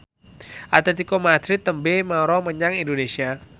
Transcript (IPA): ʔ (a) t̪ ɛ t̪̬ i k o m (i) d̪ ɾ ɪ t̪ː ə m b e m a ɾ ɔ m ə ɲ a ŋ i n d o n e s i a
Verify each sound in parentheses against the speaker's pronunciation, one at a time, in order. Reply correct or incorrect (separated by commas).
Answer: correct, incorrect